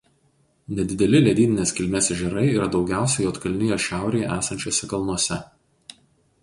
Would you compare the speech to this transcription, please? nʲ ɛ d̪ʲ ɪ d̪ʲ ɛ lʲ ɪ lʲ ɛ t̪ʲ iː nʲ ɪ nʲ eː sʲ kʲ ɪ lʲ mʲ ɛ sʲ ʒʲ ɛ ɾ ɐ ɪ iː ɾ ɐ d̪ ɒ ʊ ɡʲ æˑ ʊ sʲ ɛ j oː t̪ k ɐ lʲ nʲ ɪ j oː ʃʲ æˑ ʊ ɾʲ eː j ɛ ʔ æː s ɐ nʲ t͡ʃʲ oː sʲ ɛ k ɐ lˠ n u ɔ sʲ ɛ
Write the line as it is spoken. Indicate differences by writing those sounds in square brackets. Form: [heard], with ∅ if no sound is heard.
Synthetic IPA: nʲ ɛ d̪ʲ ɪ d̪ʲ ɛ lʲ ɪ lʲ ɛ [d̪ʲ] iː nʲ ɪ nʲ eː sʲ kʲ ɪ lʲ mʲ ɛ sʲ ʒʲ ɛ ɾ ɐ ɪ iː ɾ ɐ d̪ ɒ ʊ ɡʲ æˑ ʊ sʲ ɛ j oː t̪ k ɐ lʲ nʲ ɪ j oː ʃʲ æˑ ʊ ɾʲ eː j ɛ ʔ æː s ɐ nʲ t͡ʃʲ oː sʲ ɛ k ɐ lˠ n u ɔ sʲ ɛ